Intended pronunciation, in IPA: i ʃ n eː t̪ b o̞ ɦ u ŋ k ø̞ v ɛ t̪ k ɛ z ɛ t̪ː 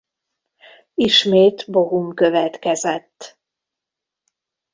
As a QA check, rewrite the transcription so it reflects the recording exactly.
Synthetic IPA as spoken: i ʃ m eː t̪ b o̞ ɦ u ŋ k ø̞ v ɛ t̪ k ɛ z ɛ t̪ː